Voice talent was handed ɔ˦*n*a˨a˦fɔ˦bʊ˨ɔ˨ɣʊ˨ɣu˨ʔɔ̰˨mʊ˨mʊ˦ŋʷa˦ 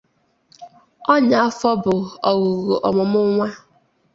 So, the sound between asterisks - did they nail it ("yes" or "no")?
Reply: no